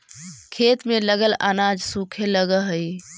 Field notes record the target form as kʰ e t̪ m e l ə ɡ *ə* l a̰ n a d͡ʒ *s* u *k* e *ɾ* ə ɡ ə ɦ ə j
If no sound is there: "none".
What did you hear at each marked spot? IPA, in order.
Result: ə, s, kʰ, l

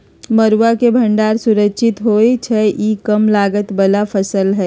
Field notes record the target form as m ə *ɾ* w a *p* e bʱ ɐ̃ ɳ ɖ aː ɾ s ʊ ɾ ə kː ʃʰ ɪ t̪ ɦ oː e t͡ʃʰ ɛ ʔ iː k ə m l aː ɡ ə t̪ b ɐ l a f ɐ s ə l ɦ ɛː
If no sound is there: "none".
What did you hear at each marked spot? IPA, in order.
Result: ɾ, k

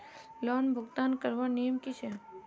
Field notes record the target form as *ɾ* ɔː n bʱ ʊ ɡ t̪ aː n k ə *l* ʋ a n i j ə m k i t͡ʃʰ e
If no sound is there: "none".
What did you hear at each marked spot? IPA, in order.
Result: l, ɾ

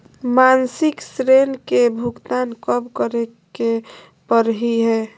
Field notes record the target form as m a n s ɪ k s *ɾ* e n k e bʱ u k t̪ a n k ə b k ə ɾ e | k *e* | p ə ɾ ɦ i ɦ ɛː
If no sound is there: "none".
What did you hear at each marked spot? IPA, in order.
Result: ɾ, e

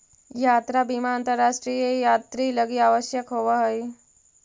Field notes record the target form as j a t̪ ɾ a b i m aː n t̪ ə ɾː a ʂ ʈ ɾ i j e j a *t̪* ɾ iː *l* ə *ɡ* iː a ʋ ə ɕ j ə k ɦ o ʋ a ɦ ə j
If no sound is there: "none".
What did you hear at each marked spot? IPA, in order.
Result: t̪, l, ɡ

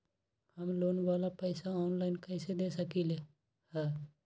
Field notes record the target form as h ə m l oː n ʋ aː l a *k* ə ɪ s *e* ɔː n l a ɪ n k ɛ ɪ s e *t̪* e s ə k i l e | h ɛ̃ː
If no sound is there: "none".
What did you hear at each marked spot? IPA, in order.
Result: p, a, d̪

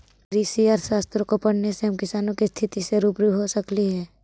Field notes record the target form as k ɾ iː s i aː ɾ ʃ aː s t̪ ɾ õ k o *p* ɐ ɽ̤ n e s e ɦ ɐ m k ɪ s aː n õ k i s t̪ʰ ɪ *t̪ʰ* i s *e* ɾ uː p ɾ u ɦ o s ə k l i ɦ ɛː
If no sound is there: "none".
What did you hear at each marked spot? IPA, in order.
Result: p, t̪, e

